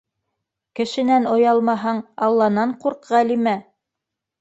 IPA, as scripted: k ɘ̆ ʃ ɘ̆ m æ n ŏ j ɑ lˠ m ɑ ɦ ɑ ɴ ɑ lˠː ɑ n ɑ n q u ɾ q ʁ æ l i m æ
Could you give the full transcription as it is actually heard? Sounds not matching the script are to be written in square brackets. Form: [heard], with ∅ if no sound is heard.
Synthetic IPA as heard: k ɘ̆ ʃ ɘ̆ [n] æ n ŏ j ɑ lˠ m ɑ ɦ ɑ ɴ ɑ lˠː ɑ n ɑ [ɴ] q u ɾ q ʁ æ l i m æ